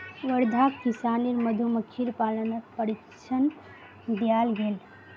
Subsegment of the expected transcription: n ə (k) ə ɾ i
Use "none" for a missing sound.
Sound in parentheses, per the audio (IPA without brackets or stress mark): p